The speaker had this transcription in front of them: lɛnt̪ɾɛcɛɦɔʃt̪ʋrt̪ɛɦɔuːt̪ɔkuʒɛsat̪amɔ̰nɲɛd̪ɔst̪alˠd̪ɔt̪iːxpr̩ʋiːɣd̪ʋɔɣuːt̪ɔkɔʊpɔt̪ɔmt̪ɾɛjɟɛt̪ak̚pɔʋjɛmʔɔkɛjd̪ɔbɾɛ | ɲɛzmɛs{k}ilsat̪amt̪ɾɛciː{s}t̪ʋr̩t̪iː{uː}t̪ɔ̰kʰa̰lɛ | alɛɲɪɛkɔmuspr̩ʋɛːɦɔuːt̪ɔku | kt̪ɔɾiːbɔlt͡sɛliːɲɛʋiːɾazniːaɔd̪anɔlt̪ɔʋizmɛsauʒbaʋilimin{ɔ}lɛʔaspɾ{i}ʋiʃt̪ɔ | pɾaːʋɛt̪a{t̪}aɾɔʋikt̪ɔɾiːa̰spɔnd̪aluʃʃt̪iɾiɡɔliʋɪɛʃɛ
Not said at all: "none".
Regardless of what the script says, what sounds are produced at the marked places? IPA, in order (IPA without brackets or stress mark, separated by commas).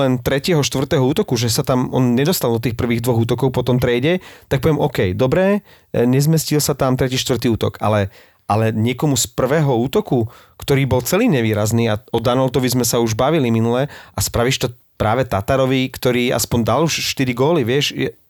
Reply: c, ʃ, uː, u, a, t̪